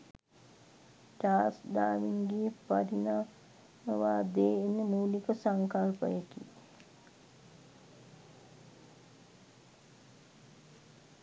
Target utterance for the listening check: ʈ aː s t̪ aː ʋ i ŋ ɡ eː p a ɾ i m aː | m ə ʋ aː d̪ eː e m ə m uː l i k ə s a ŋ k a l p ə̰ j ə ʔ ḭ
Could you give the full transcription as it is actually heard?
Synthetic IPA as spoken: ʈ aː s d̪ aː ʋ i ŋ ɡ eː p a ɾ i n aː | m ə ʋ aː d̪ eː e n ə m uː l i k ə s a ŋ k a l p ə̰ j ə k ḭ